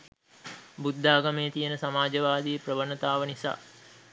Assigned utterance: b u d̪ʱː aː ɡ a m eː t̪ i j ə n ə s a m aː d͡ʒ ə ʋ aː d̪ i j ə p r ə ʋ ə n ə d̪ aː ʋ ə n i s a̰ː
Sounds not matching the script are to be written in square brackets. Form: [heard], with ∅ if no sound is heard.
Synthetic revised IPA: b u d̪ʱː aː ɡ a m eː t̪ i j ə n ə s a m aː d͡ʒ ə ʋ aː d̪ i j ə p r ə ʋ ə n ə [t̪] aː ʋ ə n i s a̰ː